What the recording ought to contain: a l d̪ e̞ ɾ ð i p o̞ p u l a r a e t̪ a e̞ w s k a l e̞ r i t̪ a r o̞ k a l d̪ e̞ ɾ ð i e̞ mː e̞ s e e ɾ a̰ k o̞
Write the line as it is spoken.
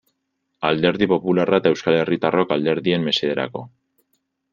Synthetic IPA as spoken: a l d̪ e̞ ɾ ð i p o̞ p u l a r a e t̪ a e̞ w s k a l e̞ r i t̪ a r o̞ k a l d̪ e̞ ɾ ð i e̞ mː e̞ s e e ɾ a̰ k o̞